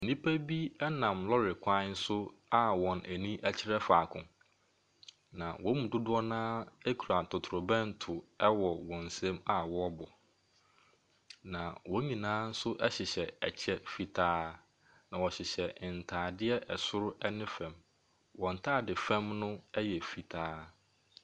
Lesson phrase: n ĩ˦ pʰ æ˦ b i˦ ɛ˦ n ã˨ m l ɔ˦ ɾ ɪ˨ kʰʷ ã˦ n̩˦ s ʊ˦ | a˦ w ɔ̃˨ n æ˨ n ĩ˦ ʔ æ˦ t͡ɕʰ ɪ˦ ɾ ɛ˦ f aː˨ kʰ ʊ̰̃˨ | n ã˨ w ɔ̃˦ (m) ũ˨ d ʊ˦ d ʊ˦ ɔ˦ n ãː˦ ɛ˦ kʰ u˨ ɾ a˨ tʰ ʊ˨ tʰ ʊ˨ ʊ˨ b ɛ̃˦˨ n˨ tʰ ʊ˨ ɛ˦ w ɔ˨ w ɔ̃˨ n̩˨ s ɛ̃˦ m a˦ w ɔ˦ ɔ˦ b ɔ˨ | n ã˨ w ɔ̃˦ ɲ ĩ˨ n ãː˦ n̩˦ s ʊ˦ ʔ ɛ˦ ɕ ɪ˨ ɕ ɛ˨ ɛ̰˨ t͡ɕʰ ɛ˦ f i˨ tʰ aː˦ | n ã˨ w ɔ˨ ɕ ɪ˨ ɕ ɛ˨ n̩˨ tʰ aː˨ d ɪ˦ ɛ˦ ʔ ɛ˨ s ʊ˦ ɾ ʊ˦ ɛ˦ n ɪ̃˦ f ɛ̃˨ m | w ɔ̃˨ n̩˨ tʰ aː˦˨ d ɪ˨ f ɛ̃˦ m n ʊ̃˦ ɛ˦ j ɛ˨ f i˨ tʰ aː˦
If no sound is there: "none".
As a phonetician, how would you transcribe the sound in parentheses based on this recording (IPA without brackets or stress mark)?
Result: m